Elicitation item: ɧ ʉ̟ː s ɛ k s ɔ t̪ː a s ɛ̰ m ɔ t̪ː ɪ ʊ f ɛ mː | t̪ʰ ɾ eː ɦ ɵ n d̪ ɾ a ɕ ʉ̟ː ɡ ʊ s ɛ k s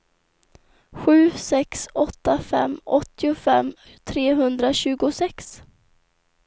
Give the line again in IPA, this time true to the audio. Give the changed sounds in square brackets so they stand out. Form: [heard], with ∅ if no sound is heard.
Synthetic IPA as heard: ɧ ʉ̟ː s ɛ k s ɔ t̪ː a [f] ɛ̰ m ɔ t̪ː ɪ ʊ f ɛ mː | t̪ʰ ɾ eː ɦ ɵ n d̪ ɾ a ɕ ʉ̟ː ɡ ʊ s ɛ k s